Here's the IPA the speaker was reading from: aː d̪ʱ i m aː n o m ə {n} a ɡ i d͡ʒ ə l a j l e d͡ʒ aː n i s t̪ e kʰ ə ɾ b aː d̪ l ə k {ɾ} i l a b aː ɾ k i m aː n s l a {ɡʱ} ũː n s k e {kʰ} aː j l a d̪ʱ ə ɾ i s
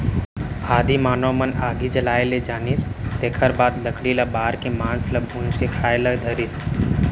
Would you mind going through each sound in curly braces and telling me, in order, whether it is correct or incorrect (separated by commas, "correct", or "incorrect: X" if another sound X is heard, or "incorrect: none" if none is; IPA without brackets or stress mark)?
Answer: correct, incorrect: ɽ, incorrect: bʱ, correct